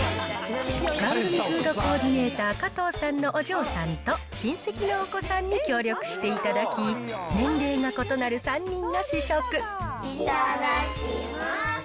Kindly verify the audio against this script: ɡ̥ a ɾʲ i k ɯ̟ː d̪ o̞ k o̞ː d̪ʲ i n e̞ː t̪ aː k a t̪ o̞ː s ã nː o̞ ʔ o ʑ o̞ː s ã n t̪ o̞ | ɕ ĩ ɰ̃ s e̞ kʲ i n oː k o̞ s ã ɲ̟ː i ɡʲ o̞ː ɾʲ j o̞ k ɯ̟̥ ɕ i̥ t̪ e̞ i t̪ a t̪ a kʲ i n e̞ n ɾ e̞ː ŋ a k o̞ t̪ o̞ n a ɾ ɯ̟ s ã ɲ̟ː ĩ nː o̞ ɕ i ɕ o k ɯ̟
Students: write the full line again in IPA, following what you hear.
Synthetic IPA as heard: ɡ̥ a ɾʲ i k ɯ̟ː d̪ o̞ k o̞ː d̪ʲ i n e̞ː t̪ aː k a t̪ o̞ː s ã nː o̞ ʔ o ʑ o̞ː s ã n t̪ o̞ | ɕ ĩ ɰ̃ s e̞ kʲ i n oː k o̞ s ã ɲ̟ː i kʲ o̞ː ɾʲ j o̞ k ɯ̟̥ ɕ i̥ t̪ e̞ i t̪ a d̪ a kʲ i n ẽ̞ n ɾ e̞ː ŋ a k o̞ t̪ o̞ n a ɾ ɯ̟ s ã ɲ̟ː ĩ nː o̞ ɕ i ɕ o k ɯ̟

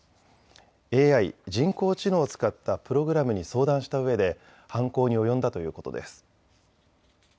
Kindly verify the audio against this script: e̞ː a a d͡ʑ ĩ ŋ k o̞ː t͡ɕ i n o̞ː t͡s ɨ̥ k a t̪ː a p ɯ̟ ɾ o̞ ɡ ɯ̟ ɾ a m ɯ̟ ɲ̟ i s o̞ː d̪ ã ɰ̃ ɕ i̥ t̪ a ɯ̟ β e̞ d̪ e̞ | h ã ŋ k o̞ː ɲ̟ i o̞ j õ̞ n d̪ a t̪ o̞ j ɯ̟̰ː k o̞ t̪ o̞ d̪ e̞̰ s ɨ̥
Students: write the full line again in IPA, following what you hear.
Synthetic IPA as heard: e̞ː a i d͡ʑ ĩ ŋ k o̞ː t͡ɕ i n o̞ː t͡s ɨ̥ k a t̪ː a p ɯ̟ ɾ o̞ ɡ ɯ̟ ɾ a m ɯ̟ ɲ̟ i s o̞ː d̪ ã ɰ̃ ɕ i̥ t̪ a ɯ̟ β e̞ d̪ e̞ | h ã ŋ k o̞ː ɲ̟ i o̞ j õ̞ n d̪ a t̪ o̞ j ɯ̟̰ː k o̞ t̪ o̞ d̪ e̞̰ s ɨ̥

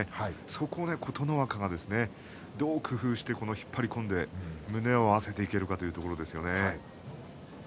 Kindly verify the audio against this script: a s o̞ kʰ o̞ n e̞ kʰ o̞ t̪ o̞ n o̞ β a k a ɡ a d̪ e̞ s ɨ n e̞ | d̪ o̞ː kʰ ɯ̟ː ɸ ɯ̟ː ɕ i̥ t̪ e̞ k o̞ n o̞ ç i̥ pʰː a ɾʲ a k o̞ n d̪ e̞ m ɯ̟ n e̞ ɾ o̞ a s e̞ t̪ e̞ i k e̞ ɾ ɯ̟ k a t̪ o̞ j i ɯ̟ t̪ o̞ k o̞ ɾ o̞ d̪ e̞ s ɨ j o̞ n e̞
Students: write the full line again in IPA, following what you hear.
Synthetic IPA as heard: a s o̞ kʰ o̞ n e̞ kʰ o̞ t̪ o̞ n o̞ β a k a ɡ a d̪ e̞ s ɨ n e̞ | d̪ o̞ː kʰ ɯ̟ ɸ ɯ̟ː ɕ i̥ t̪ e̞ k o̞ n o̞ ç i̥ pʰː a ɾʲ i k õ̞ n d̪ e̞ m ɯ̟ n e̞ o̞ a s e̞ t̪ e̞ i k e̞ ɾ ɯ̟ k a t̪ o̞ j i ɯ̟ t̪ o̞ k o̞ ɾ o̞ d̪ e̞ s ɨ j o̞ n e̞

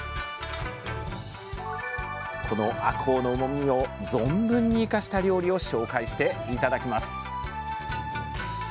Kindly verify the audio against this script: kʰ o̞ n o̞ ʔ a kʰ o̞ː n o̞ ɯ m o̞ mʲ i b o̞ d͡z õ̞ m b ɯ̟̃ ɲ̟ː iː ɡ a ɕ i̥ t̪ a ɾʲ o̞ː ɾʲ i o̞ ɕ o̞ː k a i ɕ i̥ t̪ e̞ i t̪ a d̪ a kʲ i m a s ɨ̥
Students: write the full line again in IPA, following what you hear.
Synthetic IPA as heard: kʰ o̞ n o̞ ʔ a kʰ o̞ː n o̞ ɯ m o̞ mʲ i o̞ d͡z õ̞ m b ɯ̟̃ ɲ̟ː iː k a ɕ i̥ t̪ a ɾʲ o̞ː ɾʲ i o̞ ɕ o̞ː k a i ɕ i̥ t̪ e̞ i t̪ a d̪ a kʲ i m a s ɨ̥

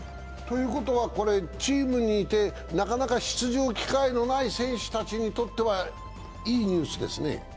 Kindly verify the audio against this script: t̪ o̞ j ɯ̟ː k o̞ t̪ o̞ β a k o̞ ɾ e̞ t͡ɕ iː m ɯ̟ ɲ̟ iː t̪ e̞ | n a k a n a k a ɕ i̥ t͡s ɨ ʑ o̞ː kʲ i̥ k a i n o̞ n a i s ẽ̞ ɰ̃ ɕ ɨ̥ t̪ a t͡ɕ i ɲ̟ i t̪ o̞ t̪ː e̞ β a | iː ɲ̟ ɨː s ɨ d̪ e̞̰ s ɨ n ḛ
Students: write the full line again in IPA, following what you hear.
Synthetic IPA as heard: t̪ o̞ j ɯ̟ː k o̞ t̪ o̞ β a k o̞ ɾ e̞ t͡ɕ iː m ɯ̟ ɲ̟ iː t̪ e̞ | n a k a n a k a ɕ i̥ t͡s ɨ ʑ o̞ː kʲ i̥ k a i n o̞ n a i s ẽ̞ ɰ̃ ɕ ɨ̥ t̪ a t͡ɕ i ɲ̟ i t̪ o̞ t̪ː e̞ β a | iː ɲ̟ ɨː s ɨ d̪ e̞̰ s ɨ n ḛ

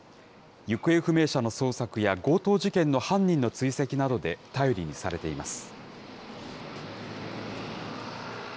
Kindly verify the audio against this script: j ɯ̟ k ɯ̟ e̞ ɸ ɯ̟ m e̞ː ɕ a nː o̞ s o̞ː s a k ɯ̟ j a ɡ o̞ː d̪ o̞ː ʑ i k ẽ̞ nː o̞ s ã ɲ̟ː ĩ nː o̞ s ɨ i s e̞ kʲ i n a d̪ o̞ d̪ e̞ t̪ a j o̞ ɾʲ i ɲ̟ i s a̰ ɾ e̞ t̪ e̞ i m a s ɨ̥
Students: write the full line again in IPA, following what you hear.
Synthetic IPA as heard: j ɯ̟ k ɯ̟ e̞ ɸ ɯ̟ m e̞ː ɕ a n o̞ s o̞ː s a k ɯ̟ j a ɡ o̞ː t̪ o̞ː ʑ i k ẽ̞ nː o̞ h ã ɲ̟ː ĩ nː o̞ t͡s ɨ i s e̞ kʲ i n a d̪ o̞ d̪ e̞ t̪ a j o̞ ɾʲ i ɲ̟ i s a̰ ɾ e̞ t̪ e̞ i m a s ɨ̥

